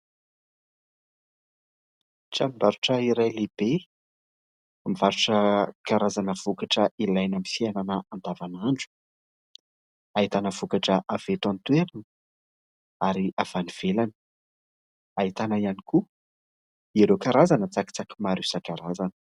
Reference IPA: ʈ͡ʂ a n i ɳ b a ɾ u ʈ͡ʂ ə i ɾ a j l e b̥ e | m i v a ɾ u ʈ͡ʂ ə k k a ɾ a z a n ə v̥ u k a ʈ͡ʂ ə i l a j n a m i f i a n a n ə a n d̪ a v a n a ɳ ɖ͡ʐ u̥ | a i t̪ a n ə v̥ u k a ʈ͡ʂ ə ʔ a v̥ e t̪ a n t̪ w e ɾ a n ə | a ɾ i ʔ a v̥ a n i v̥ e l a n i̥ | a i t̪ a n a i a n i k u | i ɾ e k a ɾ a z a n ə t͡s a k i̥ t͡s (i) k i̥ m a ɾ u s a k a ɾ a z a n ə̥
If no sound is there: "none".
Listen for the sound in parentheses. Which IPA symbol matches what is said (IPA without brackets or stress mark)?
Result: a